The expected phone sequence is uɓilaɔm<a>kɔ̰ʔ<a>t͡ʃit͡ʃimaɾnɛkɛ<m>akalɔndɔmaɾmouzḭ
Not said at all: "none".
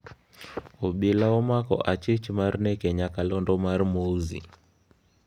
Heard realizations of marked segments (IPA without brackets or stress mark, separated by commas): a, a, ɲ